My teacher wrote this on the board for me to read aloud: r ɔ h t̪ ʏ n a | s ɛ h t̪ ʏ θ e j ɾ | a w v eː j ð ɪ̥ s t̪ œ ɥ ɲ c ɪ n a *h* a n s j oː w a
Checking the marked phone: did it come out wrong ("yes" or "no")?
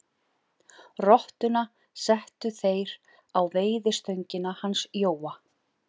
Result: no